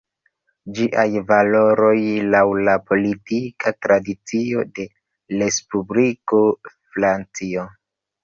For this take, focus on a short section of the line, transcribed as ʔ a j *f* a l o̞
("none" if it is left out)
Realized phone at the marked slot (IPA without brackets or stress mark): v